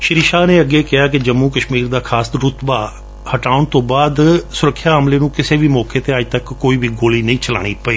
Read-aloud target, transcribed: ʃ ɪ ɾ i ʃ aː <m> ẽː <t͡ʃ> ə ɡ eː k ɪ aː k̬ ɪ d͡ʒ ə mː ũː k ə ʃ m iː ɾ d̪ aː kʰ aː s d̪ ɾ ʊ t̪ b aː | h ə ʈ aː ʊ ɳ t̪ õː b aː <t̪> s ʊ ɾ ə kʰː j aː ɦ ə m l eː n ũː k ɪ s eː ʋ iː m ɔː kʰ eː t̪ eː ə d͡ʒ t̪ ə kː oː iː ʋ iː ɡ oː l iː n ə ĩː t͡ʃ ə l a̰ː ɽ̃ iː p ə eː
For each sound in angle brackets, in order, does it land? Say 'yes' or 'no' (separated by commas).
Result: no, no, no